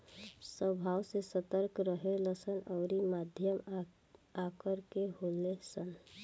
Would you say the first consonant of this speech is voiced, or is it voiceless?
voiceless